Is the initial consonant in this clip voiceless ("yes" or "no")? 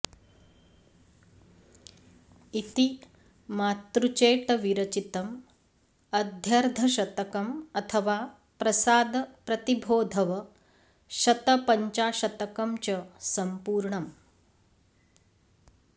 yes